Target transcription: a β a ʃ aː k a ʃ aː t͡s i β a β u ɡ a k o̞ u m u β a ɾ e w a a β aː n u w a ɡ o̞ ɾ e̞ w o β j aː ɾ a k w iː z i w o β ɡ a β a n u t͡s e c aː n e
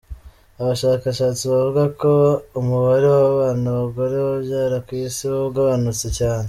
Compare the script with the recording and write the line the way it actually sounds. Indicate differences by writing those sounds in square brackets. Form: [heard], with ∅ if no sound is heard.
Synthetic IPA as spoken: a β a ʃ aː k a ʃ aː t͡s i β a [v] u ɡ a k o̞ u m u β a ɾ e w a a β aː n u [β] a ɡ o̞ ɾ e̞ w o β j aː ɾ a k w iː [s] i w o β ɡ a β a n u t͡s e c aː n e